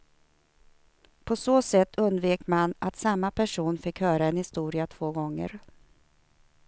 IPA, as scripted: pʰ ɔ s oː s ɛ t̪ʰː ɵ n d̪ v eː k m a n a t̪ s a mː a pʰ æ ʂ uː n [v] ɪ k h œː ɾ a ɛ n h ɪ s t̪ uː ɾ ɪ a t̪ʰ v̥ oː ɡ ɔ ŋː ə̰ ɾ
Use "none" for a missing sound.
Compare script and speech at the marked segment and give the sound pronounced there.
f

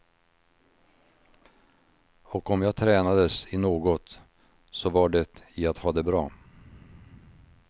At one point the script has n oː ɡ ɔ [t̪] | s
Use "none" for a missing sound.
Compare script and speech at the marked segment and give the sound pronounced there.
t̪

